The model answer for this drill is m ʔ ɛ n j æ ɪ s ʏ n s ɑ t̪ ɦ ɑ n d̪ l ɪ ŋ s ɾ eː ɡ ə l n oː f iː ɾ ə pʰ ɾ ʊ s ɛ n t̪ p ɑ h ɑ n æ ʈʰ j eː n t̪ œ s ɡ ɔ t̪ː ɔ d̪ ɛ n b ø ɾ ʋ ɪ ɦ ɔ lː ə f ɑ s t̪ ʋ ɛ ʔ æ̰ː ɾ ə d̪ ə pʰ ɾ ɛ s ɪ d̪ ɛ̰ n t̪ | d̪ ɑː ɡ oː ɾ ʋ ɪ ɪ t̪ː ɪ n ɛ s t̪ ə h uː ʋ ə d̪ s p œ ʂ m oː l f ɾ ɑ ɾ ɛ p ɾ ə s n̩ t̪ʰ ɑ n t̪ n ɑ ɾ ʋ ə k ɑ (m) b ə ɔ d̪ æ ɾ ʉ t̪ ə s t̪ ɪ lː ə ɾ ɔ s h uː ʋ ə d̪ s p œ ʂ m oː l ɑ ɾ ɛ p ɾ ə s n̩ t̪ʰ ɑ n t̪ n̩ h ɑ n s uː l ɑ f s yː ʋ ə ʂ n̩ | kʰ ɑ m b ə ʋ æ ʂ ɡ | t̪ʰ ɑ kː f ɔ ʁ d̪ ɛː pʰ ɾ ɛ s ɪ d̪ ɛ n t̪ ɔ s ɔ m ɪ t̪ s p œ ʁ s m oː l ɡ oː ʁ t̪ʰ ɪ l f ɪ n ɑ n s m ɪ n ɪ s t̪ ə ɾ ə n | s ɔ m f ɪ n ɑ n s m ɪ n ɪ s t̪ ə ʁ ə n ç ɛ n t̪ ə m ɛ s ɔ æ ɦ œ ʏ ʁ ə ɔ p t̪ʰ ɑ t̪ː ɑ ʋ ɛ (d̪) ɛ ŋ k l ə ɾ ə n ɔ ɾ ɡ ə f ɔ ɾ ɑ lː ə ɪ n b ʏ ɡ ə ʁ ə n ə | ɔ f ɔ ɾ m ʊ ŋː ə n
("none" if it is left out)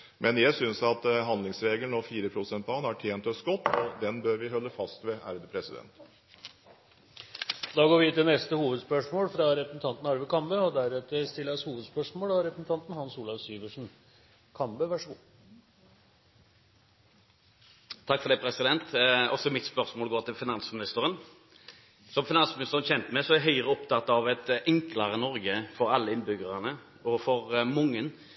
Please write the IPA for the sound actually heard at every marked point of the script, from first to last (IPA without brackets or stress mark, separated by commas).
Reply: m, t̪